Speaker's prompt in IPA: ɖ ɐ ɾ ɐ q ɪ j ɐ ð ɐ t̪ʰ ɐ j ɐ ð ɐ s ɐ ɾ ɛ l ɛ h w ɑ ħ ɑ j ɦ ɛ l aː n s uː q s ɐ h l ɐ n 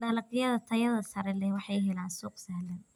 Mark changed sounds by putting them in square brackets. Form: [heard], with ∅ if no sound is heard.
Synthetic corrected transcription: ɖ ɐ [l] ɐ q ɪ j ɐ ð ɐ t̪ʰ ɐ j ɐ ð ɐ s ɐ ɾ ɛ l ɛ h w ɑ ħ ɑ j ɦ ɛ l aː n s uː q s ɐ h l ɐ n